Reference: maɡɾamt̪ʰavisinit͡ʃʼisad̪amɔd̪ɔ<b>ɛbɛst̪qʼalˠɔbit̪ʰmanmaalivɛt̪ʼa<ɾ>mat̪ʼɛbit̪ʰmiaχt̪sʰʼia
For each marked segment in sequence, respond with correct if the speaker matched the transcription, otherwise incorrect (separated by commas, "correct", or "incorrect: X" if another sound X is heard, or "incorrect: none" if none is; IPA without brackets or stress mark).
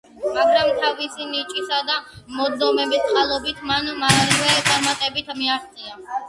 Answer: incorrect: m, correct